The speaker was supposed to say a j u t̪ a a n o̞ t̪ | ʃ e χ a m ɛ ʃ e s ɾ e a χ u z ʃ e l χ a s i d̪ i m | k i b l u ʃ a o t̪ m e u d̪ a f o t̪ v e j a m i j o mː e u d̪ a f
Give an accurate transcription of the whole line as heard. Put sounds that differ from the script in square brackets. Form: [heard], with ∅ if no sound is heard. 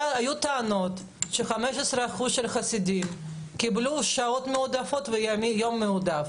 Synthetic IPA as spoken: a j u t̪ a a n o̞ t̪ | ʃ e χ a m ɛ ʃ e s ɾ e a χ u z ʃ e l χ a s i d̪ i m | k i b l u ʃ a o t̪ m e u d̪ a f o t̪ v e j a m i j o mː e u d̪ a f